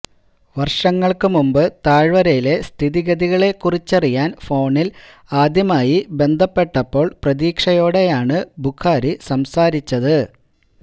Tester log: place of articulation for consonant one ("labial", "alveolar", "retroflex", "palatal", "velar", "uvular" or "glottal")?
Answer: labial